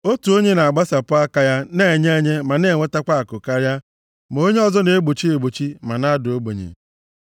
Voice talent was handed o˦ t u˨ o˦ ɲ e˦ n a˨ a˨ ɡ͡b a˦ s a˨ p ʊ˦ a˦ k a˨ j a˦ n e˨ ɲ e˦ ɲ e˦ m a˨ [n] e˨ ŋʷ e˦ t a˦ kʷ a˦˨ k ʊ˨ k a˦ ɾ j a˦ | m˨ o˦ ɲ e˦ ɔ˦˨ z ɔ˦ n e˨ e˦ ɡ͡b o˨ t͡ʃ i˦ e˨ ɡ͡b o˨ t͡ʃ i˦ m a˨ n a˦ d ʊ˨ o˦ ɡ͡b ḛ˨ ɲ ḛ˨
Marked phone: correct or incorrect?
correct